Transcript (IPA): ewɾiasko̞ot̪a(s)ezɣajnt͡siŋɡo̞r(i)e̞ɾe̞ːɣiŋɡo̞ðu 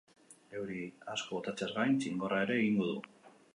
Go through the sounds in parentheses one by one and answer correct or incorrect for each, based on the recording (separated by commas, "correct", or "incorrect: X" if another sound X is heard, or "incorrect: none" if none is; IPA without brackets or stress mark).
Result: incorrect: t͡s, incorrect: a